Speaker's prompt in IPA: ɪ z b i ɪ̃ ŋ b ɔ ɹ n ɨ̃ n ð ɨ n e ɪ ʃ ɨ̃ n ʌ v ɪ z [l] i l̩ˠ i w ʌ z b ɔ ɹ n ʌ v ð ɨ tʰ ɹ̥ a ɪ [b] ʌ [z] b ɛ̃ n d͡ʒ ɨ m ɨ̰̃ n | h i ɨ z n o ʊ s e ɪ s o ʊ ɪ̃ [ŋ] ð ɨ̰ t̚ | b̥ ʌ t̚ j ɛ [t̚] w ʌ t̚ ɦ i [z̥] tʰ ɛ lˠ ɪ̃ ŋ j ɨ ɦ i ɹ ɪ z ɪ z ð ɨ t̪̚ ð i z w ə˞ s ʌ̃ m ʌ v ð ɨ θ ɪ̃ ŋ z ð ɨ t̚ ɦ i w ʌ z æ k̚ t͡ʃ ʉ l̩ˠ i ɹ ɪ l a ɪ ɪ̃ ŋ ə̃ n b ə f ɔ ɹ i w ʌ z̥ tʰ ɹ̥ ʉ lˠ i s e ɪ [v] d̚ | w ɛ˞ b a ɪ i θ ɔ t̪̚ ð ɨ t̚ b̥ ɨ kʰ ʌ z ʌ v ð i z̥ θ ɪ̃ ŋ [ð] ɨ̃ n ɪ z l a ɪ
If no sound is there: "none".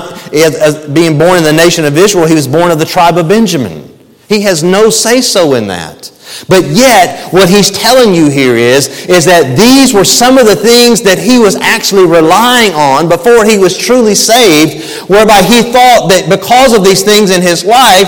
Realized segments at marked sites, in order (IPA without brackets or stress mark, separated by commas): ɹ, b, v, n, t̚, z̥, v, z